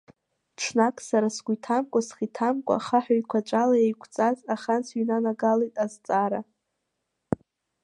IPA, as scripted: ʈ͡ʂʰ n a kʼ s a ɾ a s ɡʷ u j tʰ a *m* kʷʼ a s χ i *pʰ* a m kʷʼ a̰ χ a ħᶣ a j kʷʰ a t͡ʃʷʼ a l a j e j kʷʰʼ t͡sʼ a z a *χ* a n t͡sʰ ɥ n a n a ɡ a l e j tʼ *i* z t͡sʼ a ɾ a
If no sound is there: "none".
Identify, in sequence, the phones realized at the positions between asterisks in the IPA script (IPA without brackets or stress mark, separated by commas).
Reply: m, tʰ, χ, a